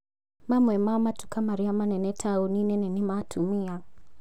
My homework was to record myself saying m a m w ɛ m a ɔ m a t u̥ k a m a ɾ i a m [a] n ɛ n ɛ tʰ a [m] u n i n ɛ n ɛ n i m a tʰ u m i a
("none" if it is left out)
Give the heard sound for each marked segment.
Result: a, none

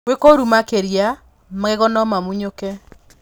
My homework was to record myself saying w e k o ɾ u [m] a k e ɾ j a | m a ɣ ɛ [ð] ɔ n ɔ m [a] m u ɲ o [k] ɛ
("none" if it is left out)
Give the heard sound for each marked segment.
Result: m, ɣ, a, k

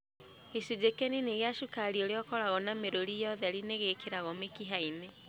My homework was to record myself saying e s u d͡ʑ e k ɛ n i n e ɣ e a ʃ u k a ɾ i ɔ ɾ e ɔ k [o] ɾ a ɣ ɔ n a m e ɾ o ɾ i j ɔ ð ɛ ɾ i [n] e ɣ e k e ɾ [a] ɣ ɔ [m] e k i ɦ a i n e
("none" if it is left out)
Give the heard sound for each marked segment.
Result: ɔ, n, a, m

